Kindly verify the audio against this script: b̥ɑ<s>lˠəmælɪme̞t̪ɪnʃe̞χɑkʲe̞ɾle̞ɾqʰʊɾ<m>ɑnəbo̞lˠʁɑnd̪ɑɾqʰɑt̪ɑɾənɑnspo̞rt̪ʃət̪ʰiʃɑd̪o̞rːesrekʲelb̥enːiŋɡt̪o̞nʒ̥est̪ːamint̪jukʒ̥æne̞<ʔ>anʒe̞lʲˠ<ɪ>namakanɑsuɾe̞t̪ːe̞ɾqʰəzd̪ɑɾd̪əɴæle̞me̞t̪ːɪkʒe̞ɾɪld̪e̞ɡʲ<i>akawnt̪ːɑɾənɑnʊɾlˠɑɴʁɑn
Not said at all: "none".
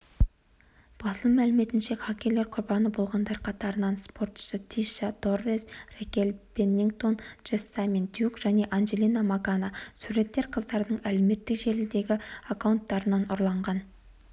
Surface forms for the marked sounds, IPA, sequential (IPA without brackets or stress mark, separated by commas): s, b, ʔ, i, ɪ